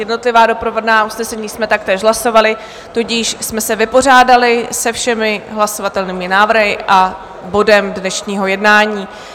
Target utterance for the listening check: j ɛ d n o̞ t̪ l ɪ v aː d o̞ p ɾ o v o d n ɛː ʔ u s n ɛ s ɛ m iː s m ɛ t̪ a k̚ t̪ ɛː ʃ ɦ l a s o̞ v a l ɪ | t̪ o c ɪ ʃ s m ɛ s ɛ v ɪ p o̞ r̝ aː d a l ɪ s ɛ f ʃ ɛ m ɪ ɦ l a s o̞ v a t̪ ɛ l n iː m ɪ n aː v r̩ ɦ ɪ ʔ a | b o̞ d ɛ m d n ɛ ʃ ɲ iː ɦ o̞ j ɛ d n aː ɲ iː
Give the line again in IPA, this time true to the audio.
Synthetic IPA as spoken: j ɛ d n o̞ t̪ l ɪ v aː d o̞ p ɾ o v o d n aː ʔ u s n ɛ s ɛ ɲ iː s m ɛ t̪ a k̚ t̪ ɛː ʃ ɦ l a s o̞ v a l ɪ | t̪ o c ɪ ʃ s m ɛ s ɛ v ɪ p o̞ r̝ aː d a l ɪ s ɛ f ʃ ɛ m ɪ ɦ l a s o̞ v a t̪ ɛ l n iː m ɪ n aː v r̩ ɦ ɪ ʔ a | b o̞ d ɛ m d n ɛ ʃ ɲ iː ɦ o̞ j ɛ d n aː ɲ iː